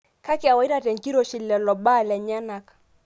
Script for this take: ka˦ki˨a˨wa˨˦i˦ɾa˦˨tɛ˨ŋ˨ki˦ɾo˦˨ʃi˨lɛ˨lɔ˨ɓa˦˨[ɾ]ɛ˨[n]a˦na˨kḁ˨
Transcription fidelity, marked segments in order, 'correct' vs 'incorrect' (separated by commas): incorrect, incorrect